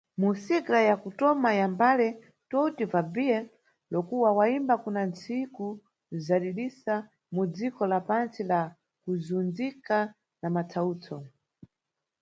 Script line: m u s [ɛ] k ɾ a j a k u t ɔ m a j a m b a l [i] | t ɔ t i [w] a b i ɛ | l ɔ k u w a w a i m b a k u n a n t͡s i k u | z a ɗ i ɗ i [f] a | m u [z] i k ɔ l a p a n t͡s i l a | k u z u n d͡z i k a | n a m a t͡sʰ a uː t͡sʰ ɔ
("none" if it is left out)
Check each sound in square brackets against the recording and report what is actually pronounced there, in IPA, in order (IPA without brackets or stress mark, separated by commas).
i, ɛ, v, s, d͡z